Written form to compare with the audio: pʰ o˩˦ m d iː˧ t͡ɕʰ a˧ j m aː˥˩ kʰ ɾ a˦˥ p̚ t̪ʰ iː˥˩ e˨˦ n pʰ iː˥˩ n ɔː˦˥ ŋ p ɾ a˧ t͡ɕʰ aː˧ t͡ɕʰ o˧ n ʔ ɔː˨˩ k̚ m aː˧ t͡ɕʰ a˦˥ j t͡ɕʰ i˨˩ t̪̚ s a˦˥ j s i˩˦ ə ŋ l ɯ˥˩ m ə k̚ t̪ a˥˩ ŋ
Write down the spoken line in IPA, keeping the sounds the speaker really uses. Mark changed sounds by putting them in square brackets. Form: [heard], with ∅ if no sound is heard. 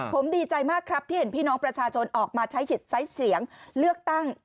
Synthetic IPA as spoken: pʰ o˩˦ m d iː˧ [t͡ɕ] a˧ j m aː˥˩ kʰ ɾ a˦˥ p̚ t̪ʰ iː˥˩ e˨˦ n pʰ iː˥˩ n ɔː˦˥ ŋ p ɾ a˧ t͡ɕʰ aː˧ t͡ɕʰ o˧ n ʔ ɔː˨˩ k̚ m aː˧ t͡ɕʰ a˦˥ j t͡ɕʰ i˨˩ t̪̚ s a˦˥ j s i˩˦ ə ŋ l ɯ˥˩ [∅] ə k̚ t̪ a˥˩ ŋ